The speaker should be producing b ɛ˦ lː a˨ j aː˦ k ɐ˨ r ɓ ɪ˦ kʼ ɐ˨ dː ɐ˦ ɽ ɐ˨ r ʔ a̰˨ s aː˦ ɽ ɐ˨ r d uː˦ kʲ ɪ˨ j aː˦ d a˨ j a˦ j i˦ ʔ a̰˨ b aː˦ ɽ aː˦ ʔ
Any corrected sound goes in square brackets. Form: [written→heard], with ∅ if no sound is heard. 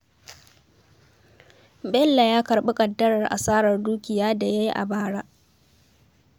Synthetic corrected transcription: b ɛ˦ lː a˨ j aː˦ k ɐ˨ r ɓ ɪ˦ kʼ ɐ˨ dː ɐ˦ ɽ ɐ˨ r ʔ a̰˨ s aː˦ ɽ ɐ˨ r d uː˦ kʲ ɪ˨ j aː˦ d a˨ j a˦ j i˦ ʔ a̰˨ b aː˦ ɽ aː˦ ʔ